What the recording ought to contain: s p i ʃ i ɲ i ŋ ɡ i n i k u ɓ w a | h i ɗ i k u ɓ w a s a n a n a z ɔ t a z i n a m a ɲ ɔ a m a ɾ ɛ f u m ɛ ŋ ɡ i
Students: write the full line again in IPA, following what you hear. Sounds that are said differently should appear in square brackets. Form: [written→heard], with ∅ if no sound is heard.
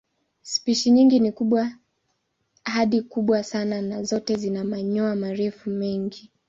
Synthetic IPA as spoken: s p i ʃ i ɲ i ŋ ɡ i n i k u ɓ w a | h [i→a] ɗ i k u ɓ w a s a n a n a z ɔ t [a→ɛ] z i n a m a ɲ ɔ a m a ɾ ɛ f u m ɛ ŋ ɡ i

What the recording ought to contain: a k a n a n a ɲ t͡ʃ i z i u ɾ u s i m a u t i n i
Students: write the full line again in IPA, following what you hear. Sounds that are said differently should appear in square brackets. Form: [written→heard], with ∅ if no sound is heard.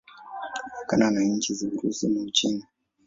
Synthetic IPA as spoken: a k a n a n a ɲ t͡ʃ i z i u ɾ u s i m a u [t→t͡ʃ] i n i

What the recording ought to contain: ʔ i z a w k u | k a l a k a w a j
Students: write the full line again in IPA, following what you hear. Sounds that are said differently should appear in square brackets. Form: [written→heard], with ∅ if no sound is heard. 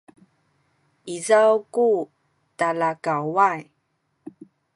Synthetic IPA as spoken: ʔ i z a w k u | [k→t] a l a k a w a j

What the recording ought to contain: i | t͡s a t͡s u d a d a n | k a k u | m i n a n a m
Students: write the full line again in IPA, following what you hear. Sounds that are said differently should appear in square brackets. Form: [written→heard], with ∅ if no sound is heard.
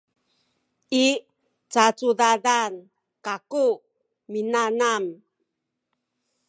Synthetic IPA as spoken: i | t͡s a t͡s u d a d a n | k a k u | m i n a n a m

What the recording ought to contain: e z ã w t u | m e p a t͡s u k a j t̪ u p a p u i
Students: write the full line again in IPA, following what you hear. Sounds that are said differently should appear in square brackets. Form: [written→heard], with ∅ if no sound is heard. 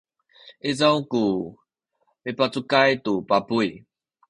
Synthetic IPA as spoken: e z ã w [t→k] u | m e p a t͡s u k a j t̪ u p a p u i

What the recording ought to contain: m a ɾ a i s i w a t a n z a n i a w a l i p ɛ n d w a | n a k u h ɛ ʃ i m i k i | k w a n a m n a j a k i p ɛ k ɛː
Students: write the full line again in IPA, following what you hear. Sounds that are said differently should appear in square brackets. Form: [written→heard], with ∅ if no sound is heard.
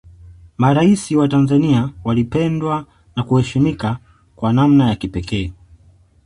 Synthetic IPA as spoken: m a ɾ a i s i w a t a n z a n i a w a l i p ɛ n d w a | n a k u h ɛ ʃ i m i k [i→a] | k w a n a m n a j a k i p ɛ k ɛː

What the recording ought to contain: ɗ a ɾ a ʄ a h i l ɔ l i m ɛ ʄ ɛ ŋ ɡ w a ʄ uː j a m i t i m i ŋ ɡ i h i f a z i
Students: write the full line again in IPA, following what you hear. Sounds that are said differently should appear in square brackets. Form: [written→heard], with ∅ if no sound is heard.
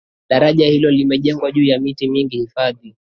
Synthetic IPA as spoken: ɗ a ɾ a ʄ a h i l ɔ l i m ɛ ʄ ɛ ŋ ɡ w a ʄ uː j a m i t i m i ŋ ɡ i h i f a [z→ð] i

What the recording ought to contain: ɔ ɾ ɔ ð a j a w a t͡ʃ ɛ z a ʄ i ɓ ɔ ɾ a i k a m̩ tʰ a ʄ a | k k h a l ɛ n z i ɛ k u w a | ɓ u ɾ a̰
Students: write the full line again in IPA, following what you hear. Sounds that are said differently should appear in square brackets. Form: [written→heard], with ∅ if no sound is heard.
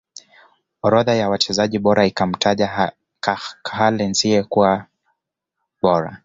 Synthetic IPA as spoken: ɔ ɾ ɔ ð a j a w a t͡ʃ ɛ z a ʄ i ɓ ɔ ɾ a i k a m̩ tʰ a ʄ a | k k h a l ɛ n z i ɛ k u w a | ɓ [u→ɔ] ɾ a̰

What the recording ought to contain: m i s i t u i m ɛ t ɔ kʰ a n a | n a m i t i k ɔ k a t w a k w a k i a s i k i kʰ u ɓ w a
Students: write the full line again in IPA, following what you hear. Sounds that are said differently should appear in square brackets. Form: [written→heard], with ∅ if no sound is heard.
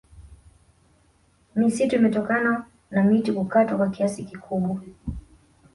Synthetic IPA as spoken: m i s i t u i m ɛ t ɔ [kʰ→k] a n a | n a m i t i k [ɔ→u] k a t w a k w a k i a s i k i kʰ u ɓ w a

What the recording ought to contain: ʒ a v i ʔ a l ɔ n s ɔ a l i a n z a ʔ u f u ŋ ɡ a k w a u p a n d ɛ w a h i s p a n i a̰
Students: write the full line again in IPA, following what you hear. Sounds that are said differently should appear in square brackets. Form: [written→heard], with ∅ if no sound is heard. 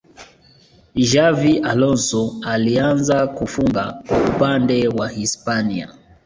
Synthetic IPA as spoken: ʒ a v i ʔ a l ɔ n s ɔ a l i a n z a [ʔ→k] u f u ŋ ɡ a k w a u p a n d ɛ w a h i s p a n i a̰

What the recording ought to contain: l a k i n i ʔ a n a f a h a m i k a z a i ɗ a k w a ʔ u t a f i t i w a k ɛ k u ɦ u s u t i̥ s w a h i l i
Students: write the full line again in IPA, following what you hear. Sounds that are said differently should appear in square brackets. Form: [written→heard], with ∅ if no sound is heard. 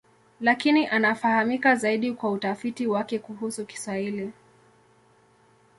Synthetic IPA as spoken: l a k i n i ʔ a n a f a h a m i k a z a i ɗ [a→i] k w a [ʔ→∅] u t a f i t i w a k ɛ k u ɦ u s u [t→k] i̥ s w a h i l i

